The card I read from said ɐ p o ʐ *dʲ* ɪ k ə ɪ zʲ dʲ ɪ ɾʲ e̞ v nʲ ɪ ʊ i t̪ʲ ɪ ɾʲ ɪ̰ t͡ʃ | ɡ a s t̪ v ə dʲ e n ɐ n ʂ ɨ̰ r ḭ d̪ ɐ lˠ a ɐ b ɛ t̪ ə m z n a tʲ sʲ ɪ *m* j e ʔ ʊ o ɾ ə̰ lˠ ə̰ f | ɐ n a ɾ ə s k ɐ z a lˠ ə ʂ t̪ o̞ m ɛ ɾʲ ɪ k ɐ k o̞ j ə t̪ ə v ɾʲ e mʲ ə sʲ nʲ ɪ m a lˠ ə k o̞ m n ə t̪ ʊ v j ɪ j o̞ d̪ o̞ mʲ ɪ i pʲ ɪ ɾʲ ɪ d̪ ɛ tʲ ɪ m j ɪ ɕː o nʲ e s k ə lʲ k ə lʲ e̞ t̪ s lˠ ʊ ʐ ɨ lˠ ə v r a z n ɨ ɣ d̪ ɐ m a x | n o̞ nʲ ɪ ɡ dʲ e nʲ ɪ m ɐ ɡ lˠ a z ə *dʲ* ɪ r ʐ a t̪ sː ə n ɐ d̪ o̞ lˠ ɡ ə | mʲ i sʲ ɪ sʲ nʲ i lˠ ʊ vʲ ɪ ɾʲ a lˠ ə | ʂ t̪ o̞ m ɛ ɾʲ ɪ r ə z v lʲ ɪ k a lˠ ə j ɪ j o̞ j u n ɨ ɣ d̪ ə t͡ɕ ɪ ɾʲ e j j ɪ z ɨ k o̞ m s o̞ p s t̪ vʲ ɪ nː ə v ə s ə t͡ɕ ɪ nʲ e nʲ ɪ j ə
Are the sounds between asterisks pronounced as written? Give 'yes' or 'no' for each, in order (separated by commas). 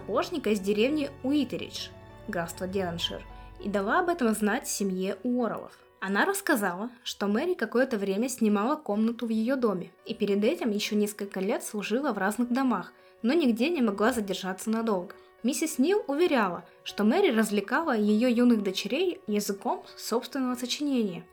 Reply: no, yes, yes